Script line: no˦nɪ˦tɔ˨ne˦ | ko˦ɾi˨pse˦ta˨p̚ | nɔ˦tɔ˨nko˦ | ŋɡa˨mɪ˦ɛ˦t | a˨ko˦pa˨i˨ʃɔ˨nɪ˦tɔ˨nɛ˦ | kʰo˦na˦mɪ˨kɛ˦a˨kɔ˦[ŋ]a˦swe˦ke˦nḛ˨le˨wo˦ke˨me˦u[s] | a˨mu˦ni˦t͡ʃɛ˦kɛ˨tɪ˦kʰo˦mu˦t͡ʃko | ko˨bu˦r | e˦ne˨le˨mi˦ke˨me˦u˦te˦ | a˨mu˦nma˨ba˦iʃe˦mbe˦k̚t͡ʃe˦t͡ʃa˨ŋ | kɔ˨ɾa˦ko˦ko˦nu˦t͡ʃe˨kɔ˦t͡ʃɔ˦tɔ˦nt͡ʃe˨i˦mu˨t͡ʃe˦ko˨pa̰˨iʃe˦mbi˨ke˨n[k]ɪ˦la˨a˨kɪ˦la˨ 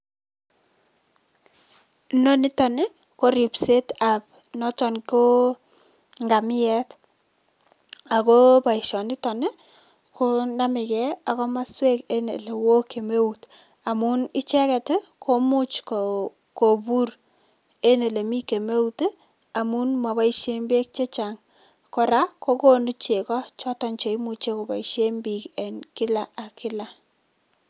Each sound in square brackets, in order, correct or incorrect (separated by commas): incorrect, incorrect, correct